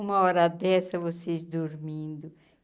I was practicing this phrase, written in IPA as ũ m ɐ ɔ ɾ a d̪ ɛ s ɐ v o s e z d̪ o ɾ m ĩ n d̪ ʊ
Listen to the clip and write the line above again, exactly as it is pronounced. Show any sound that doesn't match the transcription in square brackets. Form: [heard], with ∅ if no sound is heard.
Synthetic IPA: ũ m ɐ ɔ ɾ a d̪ ɛ s ɐ v o s e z d̪ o ɾ m ĩ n d̪ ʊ